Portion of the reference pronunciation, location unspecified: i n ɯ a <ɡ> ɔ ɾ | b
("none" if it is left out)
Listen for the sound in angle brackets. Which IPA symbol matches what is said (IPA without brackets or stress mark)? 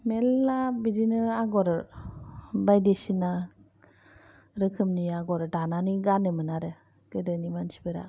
ɡ